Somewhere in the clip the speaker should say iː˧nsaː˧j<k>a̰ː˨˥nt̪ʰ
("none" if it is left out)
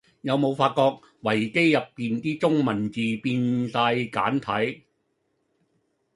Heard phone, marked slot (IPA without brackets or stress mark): k